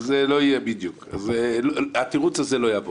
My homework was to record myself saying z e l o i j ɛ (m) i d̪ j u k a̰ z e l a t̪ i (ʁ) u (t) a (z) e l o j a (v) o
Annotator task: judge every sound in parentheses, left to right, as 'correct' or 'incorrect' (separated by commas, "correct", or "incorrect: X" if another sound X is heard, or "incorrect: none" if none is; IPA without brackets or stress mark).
incorrect: b, correct, incorrect: t͡s, correct, correct